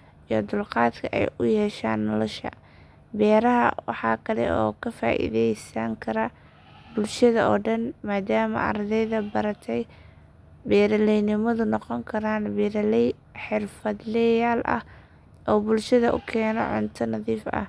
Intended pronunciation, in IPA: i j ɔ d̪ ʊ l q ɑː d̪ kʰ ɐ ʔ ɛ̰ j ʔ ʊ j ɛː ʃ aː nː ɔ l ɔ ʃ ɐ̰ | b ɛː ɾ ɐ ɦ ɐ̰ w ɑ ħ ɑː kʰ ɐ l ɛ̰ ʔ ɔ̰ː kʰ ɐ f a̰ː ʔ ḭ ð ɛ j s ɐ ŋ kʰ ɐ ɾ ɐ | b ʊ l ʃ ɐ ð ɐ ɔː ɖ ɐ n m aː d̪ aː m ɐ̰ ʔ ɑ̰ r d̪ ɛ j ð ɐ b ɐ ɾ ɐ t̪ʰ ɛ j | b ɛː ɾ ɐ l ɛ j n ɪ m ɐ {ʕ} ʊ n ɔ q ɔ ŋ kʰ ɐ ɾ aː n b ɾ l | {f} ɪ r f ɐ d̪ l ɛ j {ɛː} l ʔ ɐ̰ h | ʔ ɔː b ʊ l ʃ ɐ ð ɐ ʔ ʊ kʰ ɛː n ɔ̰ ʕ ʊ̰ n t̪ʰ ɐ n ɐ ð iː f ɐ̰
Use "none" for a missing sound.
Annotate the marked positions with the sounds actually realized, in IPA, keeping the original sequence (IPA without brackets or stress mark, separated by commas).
ð, ħ, aː